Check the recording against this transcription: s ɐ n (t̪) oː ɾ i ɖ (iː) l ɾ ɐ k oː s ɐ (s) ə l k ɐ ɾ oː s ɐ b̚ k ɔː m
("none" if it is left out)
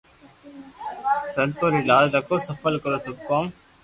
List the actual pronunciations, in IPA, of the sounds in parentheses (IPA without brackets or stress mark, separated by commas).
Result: t̪, aː, f